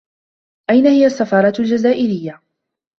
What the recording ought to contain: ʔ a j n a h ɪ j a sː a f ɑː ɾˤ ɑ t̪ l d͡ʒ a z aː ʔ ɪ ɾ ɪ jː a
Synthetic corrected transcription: ʔ a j n a h ɪ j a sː a f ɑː ɾˤ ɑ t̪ l d͡ʒ a z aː ʔ ɪ ɾ ɪ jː a